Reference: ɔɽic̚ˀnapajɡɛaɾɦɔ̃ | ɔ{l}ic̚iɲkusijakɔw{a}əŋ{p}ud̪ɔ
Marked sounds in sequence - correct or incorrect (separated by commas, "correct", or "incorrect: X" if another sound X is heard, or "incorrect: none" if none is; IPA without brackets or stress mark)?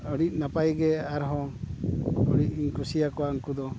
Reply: incorrect: ɽ, correct, incorrect: k